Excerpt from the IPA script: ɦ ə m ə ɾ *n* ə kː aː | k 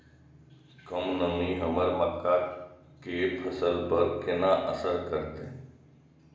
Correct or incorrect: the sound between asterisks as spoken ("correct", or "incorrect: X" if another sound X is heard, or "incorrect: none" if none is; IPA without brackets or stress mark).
incorrect: m